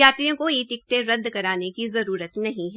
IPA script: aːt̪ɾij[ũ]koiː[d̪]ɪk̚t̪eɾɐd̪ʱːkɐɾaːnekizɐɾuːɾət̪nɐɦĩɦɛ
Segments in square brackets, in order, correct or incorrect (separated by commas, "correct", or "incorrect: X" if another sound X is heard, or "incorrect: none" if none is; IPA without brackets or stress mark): incorrect: õ, incorrect: t̪